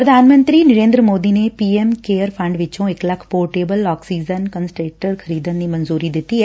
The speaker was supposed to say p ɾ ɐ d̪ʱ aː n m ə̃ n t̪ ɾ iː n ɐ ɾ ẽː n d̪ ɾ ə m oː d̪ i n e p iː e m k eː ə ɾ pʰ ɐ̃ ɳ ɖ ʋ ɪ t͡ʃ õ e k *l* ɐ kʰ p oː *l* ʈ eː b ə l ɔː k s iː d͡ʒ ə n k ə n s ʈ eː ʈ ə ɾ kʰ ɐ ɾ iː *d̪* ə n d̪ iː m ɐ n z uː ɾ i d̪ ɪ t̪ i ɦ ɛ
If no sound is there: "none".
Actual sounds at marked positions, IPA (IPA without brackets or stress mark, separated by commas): l, none, d̪